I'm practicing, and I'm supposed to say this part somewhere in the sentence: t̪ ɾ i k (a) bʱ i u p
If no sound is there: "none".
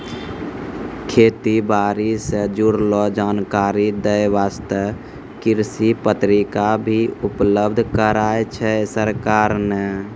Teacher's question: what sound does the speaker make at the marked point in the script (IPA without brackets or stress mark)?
a